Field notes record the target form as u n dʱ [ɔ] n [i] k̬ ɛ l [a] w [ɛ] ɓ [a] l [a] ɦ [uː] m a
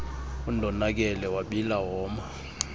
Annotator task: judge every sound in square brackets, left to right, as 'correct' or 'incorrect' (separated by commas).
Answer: correct, incorrect, incorrect, incorrect, incorrect, correct, incorrect